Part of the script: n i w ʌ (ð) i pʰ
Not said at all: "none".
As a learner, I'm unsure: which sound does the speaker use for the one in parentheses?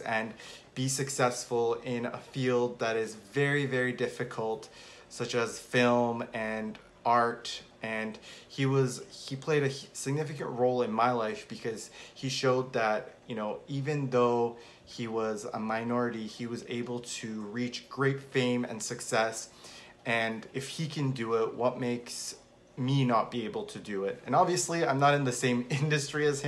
z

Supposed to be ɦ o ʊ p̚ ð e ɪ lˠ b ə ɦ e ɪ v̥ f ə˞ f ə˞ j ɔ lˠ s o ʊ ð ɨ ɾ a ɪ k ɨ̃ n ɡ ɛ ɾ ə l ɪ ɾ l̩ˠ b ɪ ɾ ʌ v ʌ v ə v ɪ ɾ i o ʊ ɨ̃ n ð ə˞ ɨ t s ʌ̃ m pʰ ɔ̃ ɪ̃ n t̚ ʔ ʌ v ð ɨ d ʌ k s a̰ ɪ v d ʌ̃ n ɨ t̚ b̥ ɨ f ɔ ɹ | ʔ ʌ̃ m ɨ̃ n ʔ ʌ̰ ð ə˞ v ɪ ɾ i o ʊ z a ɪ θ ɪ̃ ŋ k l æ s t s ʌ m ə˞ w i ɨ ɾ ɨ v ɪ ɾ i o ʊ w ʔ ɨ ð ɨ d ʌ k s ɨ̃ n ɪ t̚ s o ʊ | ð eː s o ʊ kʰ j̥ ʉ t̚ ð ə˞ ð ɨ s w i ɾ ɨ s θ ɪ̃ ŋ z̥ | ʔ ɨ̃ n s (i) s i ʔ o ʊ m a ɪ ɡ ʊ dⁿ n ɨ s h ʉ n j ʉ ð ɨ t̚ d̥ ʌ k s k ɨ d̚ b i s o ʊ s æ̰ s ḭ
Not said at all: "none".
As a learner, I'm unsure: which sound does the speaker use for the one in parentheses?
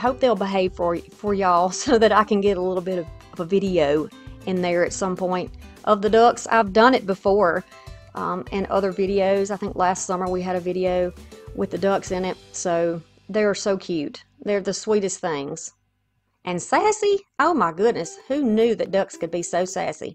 æ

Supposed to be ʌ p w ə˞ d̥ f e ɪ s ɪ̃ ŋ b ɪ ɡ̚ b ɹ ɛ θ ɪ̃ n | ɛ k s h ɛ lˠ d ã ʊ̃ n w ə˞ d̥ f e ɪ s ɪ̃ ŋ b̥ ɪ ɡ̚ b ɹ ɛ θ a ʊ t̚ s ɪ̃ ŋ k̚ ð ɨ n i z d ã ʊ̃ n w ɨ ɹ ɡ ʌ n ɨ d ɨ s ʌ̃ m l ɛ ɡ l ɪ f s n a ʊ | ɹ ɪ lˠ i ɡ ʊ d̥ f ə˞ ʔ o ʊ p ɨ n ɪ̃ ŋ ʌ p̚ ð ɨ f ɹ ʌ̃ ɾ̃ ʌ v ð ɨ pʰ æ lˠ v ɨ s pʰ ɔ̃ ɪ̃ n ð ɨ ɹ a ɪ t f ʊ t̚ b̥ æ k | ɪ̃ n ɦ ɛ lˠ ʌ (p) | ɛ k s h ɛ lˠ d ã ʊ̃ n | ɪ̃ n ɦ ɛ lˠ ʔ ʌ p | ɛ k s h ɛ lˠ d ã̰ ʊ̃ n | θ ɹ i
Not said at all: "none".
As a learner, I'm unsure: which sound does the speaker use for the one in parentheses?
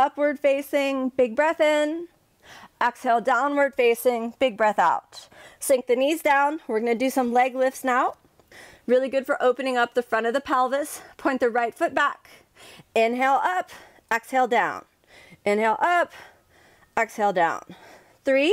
p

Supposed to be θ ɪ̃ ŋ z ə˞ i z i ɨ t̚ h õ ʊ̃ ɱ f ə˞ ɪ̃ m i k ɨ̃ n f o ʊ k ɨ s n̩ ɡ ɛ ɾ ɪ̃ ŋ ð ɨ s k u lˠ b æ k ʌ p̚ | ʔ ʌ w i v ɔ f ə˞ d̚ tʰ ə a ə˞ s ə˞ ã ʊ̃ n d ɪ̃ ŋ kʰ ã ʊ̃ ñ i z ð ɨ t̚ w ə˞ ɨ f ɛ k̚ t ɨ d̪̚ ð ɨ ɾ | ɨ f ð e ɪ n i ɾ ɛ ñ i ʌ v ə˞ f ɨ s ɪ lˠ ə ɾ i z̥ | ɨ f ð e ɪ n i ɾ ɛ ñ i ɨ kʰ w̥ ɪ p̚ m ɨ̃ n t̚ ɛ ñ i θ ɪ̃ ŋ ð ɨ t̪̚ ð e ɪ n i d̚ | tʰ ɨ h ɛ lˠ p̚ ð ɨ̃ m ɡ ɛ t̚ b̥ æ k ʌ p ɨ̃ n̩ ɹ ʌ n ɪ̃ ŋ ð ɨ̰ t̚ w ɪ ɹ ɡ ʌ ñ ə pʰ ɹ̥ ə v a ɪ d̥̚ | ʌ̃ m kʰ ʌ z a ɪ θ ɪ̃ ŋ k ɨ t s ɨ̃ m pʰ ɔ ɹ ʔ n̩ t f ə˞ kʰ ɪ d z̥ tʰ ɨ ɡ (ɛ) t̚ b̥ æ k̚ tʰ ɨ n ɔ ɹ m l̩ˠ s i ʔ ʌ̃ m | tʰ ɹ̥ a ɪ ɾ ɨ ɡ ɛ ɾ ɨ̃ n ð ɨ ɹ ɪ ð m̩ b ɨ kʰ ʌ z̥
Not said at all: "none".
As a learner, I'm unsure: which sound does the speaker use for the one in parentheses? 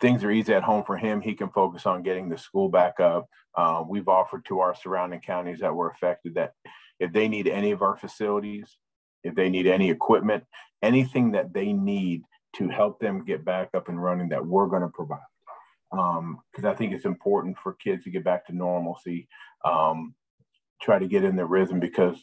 ɛ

